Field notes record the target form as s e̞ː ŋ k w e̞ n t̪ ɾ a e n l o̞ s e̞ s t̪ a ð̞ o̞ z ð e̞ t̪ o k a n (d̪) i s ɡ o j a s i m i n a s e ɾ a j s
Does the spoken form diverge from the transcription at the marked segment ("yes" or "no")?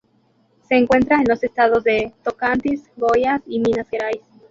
yes